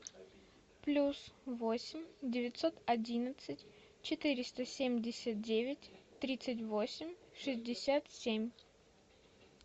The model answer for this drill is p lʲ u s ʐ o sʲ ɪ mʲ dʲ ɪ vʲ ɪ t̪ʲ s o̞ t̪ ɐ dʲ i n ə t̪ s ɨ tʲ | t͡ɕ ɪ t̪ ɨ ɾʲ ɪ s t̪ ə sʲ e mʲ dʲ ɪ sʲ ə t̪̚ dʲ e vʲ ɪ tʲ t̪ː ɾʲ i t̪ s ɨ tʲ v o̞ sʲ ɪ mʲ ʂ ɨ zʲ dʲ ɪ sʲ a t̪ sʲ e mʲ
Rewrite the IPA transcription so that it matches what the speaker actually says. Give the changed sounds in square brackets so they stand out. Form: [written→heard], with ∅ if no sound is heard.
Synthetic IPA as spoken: p lʲ u s [ʐ→v] o sʲ ɪ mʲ dʲ ɪ vʲ ɪ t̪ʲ s o̞ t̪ ɐ dʲ i n ə t̪ s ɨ tʲ | t͡ɕ ɪ t̪ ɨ ɾʲ ɪ s t̪ ə sʲ e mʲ dʲ ɪ sʲ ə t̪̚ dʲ e vʲ ɪ tʲ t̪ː ɾʲ i t̪ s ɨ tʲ v o̞ sʲ ɪ mʲ ʂ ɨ zʲ dʲ ɪ sʲ a t̪ sʲ e mʲ